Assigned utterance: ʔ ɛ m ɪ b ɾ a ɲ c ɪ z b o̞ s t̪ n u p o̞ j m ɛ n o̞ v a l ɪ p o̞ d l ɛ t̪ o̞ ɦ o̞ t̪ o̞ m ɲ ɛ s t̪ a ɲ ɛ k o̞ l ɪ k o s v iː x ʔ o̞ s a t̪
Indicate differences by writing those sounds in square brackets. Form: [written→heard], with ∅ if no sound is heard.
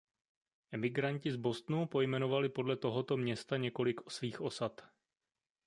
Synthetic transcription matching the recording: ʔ ɛ m ɪ [b→ɡ] ɾ a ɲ c ɪ z b o̞ s t̪ n u p o̞ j m ɛ n o̞ v a l ɪ p o̞ d l ɛ t̪ o̞ ɦ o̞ t̪ o̞ m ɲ ɛ s t̪ a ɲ ɛ k o̞ l ɪ k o s v iː x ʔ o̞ s a t̪